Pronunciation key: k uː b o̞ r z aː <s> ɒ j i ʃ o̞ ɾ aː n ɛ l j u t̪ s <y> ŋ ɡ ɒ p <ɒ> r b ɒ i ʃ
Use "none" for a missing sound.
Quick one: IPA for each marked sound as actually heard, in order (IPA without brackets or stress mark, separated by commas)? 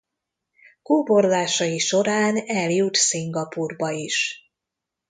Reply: ʃ, i, u